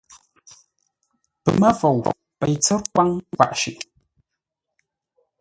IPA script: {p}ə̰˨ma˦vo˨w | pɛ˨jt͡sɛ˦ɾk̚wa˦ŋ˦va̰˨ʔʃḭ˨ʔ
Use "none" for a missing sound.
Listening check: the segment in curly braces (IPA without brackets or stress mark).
p